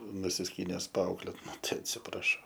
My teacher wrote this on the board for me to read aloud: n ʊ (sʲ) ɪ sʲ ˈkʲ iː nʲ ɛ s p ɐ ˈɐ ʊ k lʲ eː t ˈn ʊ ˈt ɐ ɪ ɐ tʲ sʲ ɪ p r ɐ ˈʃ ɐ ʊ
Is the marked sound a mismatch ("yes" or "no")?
no